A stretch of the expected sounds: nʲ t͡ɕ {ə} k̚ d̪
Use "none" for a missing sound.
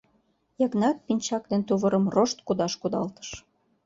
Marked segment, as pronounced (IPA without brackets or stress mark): ɑ